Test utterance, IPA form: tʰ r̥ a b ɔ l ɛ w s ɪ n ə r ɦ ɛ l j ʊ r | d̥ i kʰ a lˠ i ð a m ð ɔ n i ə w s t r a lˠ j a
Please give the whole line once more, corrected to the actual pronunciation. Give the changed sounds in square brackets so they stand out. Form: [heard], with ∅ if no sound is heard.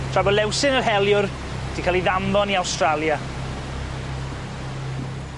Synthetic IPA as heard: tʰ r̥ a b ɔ l ɛ w s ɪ n ə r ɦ ɛ l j ʊ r | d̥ i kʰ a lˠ i ð a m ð ɔ n i [a] w s t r a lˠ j a